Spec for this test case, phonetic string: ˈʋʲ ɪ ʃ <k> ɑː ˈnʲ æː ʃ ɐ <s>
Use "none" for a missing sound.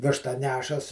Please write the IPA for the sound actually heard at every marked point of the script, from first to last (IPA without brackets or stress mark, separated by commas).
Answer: t, s